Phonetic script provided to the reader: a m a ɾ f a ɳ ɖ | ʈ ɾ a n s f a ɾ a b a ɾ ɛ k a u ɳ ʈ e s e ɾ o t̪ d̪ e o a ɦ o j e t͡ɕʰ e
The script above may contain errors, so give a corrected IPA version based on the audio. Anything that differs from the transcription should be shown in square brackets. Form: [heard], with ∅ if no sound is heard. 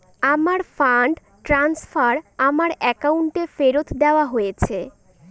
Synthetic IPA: a m a ɾ f a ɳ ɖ | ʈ ɾ a n s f a ɾ a [m] a ɾ ɛ k a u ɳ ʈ e [f] e ɾ o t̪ d̪ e o a ɦ o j e t͡ɕʰ e